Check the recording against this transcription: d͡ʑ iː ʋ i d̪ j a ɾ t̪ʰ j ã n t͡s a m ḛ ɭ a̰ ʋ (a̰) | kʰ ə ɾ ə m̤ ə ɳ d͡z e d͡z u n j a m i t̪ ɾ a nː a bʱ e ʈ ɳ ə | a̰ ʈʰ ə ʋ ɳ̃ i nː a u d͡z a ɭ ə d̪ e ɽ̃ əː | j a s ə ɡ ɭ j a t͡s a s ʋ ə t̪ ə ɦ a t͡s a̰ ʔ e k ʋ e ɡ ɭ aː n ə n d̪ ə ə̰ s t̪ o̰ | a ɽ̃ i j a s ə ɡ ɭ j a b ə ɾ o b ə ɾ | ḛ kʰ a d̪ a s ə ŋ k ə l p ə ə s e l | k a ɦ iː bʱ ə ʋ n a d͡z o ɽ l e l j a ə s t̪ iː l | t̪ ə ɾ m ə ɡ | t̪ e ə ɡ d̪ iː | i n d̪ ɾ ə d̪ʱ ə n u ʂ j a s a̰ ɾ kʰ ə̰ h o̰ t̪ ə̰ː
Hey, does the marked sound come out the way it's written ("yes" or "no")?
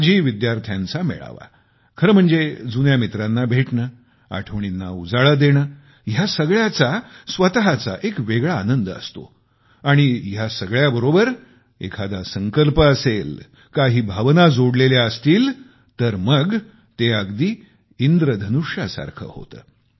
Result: yes